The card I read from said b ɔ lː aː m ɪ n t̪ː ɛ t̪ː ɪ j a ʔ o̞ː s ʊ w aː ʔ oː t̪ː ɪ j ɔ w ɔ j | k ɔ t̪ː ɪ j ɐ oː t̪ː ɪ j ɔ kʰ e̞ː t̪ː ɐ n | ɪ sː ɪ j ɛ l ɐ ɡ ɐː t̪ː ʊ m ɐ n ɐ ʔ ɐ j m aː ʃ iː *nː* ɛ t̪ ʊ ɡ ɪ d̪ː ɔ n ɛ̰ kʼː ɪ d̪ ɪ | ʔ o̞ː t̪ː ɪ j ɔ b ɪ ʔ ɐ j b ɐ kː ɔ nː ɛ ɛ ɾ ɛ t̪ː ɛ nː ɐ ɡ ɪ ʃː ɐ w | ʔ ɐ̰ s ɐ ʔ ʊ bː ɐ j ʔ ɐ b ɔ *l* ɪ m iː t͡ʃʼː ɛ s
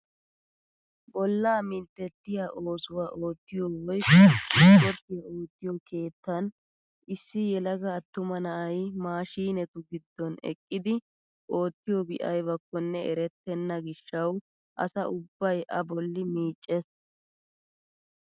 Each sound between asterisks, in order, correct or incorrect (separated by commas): incorrect, incorrect